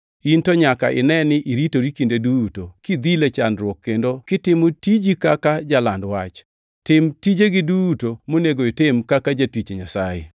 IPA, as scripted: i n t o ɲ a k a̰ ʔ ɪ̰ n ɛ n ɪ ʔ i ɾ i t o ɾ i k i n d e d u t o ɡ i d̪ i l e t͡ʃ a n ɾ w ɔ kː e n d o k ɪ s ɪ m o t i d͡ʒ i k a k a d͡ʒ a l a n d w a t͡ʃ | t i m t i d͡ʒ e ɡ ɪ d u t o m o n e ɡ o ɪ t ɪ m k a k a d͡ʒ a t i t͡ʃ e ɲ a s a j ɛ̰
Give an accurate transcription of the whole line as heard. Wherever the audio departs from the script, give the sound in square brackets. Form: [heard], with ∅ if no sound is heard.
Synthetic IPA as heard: i n t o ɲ a k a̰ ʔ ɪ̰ n ɛ n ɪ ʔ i ɾ i t o ɾ i k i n d e d u t o [k] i d̪ i l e t͡ʃ a n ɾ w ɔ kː e n d o k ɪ [t] ɪ m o t i d͡ʒ i k a k a d͡ʒ a l a n d w a t͡ʃ | t [ɪ] m t i d͡ʒ e ɡ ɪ d u t o m o n e ɡ o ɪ t ɪ m k a k a d͡ʒ a t i t͡ʃ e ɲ a s a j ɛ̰

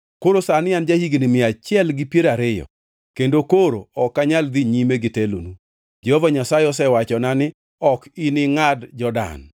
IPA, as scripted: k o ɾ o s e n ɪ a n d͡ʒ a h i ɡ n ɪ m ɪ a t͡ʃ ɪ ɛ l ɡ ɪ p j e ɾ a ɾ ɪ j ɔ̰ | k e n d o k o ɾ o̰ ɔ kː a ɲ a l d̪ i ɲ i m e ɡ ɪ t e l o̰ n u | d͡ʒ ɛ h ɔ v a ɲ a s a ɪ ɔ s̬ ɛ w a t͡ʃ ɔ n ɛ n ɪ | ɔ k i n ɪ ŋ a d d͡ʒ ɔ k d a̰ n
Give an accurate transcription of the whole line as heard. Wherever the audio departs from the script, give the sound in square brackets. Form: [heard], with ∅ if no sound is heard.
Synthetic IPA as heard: k o ɾ o s [a] n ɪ a n d͡ʒ a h i ɡ n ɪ m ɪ a t͡ʃ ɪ ɛ l ɡ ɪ p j e ɾ a ɾ ɪ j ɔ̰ | k e n d o k o ɾ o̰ ɔ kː a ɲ a l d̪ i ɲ i m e ɡ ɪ t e l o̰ n u | d͡ʒ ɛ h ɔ v a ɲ a s a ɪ ɔ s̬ ɛ w a t͡ʃ ɔ n [a] n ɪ | ɔ k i n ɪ ŋ a d d͡ʒ ɔ [∅] d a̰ n

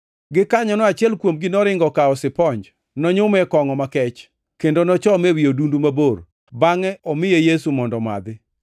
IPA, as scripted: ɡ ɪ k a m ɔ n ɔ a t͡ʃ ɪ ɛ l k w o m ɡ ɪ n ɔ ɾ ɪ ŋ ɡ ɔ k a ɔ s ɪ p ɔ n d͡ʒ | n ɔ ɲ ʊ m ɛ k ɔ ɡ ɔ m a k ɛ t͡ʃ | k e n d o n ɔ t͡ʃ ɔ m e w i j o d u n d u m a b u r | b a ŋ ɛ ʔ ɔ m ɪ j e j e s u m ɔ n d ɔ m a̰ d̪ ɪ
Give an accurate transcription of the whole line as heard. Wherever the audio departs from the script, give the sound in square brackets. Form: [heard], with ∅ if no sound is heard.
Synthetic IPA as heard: ɡ ɪ k a [ɲ] ɔ n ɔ a t͡ʃ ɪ ɛ l k w o m ɡ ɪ n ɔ ɾ ɪ ŋ ɡ ɔ k a ɔ s ɪ p ɔ [ɲ] d͡ʒ | n ɔ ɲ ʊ m ɛ k ɔ [ŋ] ɔ m a k ɛ t͡ʃ | k e n d o n ɔ t͡ʃ ɔ m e w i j o d u n d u m a b [o] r | b a ŋ ɛ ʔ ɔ m ɪ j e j e s u m ɔ n d ɔ m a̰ d̪ ɪ

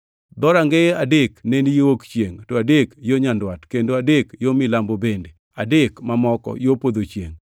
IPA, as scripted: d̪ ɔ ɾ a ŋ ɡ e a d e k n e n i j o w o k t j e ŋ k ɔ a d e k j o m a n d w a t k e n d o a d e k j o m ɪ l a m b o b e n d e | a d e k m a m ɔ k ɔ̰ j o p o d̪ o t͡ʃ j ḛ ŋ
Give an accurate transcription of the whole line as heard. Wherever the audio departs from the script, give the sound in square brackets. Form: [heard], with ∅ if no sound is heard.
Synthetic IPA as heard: d̪ ɔ ɾ a ŋ ɡ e a d e k n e n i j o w o k [t͡ʃ] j e ŋ [t] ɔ a d e k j o [ɲ] a n d w a t k e n d o a d e k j o m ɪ l a m b o b e n d e | a d e k m a m ɔ k ɔ̰ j o p o d̪ o t͡ʃ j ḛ ŋ

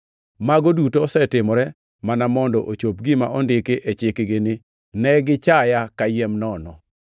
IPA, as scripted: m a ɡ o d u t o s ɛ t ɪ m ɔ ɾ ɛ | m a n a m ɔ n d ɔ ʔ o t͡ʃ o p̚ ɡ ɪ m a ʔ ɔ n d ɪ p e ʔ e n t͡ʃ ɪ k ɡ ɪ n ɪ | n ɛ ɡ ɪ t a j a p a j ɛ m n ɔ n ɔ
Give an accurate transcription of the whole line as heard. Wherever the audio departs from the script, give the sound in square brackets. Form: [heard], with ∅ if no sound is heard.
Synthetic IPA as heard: m a ɡ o d u t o s ɛ t ɪ m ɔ ɾ ɛ | m a n a m ɔ n d ɔ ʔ o t͡ʃ o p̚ ɡ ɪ m a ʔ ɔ n d ɪ [k] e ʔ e [∅] t͡ʃ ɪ k ɡ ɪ n ɪ | n ɛ ɡ ɪ [t͡ʃ] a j a [k] a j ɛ m n ɔ n ɔ

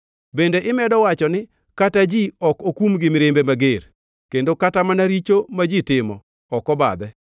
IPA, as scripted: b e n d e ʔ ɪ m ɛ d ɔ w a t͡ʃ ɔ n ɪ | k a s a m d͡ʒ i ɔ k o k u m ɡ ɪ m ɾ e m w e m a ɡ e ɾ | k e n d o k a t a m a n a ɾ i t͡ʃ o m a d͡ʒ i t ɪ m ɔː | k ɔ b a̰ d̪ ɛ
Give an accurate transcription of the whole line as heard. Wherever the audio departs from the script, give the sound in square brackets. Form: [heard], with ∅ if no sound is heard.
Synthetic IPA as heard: b e n d e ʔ ɪ m ɛ d ɔ w a t͡ʃ ɔ n ɪ | k a [t] a [∅] d͡ʒ i ɔ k o k u m ɡ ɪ m ɾ e m [b] e m a ɡ e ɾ | k e n d o k a t a m a n a ɾ i t͡ʃ o m a d͡ʒ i t ɪ m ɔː | k ɔ b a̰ d̪ ɛ

